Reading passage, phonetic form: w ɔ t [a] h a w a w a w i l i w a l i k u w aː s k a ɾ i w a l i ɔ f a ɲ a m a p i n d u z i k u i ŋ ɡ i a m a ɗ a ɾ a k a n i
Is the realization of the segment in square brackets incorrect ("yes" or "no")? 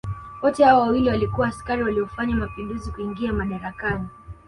yes